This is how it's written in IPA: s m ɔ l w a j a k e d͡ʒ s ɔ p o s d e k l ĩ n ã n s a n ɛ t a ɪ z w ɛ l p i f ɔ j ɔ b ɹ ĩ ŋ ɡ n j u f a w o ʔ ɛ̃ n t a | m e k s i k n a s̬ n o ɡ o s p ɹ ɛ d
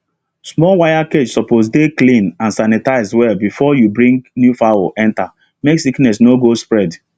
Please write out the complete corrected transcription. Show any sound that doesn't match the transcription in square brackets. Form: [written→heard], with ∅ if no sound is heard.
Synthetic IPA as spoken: s m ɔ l w a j a k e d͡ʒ s ɔ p o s d e k l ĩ n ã n s a n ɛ t a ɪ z w ɛ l [p→b] i f ɔ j [ɔ→u] b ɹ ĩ ŋ ɡ n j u f a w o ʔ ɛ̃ n t a | m e k s i k n [a→ɛ] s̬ n o ɡ o s p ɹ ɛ d